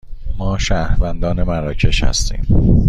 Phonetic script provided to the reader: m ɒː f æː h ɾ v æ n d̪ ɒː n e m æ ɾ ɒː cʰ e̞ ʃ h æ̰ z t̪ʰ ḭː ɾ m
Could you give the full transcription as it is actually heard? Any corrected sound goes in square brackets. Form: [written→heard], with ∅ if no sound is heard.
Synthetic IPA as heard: m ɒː [f→ʃ] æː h ɾ v æ n d̪ ɒː n e m æ ɾ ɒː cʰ e̞ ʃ h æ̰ [z→s] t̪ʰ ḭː [ɾ→∅] m